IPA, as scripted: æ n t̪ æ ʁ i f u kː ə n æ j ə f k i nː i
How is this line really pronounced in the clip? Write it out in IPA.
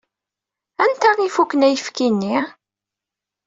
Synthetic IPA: æ n t̪ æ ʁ i f u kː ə n æ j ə f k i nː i